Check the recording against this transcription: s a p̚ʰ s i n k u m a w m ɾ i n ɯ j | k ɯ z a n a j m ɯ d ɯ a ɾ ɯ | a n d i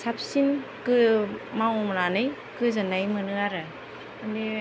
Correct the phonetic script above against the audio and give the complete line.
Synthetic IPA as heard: s a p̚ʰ s i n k ɯ m a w m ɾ a n ɯ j | k ɯ z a n a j m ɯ n ɯ a ɾ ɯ | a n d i